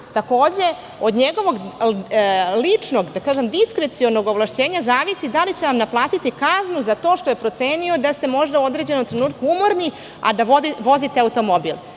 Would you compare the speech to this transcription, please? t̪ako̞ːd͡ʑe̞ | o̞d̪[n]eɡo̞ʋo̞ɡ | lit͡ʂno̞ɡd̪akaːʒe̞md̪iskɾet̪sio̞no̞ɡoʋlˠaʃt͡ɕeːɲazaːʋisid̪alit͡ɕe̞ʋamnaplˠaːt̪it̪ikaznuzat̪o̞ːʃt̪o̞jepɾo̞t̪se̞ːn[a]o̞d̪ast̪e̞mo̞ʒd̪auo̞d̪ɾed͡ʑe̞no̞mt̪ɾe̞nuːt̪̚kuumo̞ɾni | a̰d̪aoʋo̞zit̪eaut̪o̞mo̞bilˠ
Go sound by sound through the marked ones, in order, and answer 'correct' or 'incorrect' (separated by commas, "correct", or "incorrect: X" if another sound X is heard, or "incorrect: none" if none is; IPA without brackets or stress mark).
incorrect: ɲ, incorrect: i